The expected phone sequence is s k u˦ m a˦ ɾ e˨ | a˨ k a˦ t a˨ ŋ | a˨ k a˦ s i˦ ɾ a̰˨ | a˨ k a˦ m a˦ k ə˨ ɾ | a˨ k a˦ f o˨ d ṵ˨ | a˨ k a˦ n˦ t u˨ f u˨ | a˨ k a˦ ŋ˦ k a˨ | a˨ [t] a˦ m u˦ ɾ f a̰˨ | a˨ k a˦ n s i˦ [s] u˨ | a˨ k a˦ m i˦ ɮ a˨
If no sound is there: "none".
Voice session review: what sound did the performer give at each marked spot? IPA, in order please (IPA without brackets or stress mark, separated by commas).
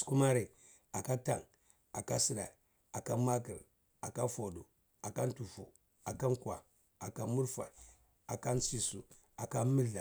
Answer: k, s